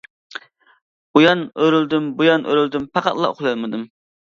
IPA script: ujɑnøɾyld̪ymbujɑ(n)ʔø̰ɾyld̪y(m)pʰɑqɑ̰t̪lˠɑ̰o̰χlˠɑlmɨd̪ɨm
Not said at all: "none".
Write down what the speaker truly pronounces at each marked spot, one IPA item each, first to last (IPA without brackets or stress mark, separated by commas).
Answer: n, m